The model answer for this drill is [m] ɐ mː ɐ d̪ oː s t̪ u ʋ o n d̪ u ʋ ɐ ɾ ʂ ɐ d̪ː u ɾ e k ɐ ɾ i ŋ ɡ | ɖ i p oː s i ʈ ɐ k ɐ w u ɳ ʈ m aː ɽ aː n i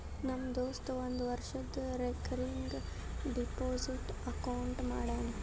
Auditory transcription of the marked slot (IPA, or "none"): n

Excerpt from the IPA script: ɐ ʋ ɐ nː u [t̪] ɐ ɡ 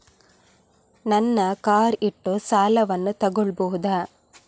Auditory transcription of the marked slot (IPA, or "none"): t̪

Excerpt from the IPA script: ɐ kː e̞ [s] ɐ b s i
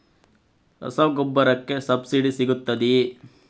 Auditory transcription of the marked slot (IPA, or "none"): s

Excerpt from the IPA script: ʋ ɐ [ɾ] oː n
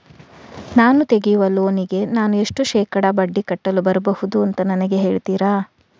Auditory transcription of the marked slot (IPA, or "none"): l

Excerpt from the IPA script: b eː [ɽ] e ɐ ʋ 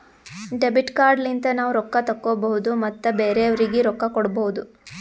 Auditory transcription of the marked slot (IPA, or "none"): ɾ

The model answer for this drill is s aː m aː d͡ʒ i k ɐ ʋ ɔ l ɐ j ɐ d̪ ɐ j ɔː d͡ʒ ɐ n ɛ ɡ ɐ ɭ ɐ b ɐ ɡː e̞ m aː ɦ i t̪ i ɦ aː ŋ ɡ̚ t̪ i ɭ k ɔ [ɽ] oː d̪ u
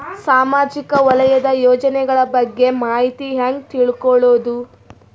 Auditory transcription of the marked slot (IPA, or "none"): ɭ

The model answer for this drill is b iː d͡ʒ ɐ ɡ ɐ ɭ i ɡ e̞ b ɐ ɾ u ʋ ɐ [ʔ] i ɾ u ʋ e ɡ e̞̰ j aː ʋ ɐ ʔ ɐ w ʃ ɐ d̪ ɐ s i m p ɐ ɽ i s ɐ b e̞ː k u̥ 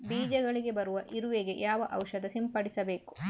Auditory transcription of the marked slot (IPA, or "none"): ʔ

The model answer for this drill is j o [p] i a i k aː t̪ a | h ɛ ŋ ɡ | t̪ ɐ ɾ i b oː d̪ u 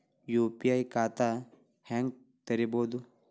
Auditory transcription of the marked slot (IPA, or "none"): p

